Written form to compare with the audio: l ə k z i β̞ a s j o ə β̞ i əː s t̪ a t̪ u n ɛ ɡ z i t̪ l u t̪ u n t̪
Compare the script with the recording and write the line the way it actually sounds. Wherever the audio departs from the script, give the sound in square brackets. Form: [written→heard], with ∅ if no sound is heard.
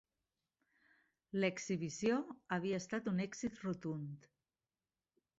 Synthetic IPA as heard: l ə k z i β̞ [a→i] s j o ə β̞ i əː s t̪ a t̪ u n ɛ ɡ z i t̪ [l→r] u t̪ u n t̪